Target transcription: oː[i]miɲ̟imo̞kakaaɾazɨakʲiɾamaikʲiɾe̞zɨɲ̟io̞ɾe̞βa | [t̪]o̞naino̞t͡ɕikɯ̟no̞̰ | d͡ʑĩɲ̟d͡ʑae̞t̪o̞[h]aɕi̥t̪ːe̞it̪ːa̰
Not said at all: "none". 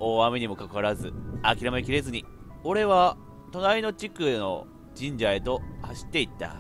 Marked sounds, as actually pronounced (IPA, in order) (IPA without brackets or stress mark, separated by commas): a, t̪, h